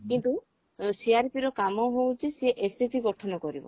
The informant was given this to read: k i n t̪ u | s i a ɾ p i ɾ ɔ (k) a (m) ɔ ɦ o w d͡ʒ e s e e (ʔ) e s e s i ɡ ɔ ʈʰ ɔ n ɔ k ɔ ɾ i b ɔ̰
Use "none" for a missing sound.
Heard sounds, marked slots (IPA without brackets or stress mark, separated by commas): k, m, ʔ